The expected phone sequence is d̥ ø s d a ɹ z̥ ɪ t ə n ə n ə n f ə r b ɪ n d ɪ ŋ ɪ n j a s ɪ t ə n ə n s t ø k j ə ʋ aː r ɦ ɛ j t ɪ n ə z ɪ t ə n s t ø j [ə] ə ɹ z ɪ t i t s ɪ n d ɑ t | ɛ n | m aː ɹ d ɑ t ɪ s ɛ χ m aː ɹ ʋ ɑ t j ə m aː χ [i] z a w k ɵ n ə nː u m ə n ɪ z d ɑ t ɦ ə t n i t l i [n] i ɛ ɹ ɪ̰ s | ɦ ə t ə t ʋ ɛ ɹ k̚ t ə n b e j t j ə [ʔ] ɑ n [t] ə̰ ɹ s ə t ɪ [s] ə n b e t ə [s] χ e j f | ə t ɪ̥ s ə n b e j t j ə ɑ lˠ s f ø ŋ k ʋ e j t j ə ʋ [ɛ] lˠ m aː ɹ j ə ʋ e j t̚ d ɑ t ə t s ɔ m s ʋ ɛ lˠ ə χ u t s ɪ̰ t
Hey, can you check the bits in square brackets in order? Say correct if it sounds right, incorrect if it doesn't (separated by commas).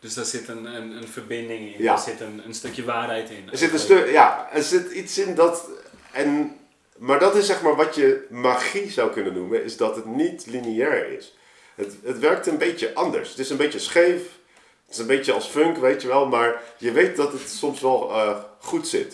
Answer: incorrect, correct, correct, correct, incorrect, correct, correct, correct